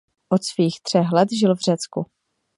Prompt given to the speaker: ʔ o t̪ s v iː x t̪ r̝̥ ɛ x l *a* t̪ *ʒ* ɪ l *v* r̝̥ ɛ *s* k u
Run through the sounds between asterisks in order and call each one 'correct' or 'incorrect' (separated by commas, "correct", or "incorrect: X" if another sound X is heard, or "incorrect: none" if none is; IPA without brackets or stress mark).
incorrect: ɛ, correct, correct, incorrect: t͡s